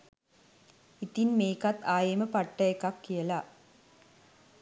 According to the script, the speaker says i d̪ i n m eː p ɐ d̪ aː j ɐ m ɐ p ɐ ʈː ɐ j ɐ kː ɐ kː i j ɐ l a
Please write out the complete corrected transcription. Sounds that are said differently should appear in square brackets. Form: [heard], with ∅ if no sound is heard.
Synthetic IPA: i [t̪] i n m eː [k] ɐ [t̪] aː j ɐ m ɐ p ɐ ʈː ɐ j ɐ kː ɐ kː i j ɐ l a